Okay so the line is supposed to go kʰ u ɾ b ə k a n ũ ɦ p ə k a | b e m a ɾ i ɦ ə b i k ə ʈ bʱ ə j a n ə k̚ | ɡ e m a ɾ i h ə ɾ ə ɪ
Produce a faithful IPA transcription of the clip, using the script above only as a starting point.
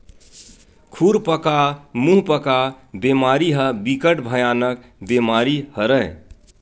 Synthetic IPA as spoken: kʰ u ɾ p ə k a m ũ ɦ p ə k a | b e m a ɾ i ɦ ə b i k ə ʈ bʱ ə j a n ə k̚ | b e m a ɾ i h ə ɾ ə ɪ